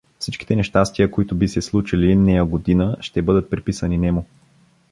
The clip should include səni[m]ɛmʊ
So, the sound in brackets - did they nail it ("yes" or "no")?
no